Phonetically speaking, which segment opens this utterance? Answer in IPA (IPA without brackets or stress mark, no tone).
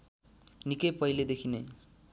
n